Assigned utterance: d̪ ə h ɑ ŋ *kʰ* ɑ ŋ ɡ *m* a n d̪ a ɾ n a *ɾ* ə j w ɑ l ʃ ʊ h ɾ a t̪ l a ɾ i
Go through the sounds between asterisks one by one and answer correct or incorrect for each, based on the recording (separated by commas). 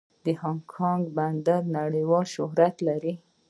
correct, incorrect, incorrect